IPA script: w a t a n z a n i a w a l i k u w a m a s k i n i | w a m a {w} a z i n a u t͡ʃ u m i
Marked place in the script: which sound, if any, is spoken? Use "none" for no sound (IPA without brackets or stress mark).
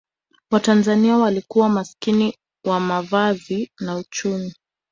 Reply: v